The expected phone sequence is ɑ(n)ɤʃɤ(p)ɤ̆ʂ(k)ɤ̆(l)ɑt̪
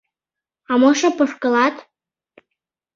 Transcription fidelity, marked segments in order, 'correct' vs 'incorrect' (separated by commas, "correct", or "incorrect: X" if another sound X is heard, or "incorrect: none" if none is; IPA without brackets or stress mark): incorrect: m, correct, correct, correct